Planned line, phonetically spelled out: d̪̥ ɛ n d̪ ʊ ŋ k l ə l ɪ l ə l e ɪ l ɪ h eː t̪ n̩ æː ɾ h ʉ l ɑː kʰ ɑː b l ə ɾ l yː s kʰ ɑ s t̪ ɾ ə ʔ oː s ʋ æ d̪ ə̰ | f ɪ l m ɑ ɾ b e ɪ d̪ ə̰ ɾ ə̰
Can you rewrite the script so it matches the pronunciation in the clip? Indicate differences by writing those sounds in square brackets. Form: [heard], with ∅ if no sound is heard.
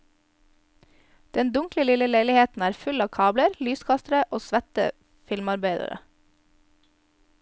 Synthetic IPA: d̪̥ ɛ n d̪ ʊ ŋ k l ə l ɪ l ə l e ɪ l ɪ h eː t̪ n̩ æː ɾ [f] ʉ l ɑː kʰ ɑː b l ə ɾ l yː s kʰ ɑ s t̪ ɾ ə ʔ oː s ʋ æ [t̪] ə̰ | f ɪ l m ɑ ɾ b e ɪ d̪ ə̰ ɾ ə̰